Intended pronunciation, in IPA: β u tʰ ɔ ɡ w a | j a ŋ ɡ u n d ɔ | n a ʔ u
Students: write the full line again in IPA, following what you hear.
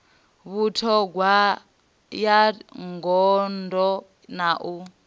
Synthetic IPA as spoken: β u tʰ ɔ ɡ w a | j a ŋ ɡ ɔ n d ɔ | n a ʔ u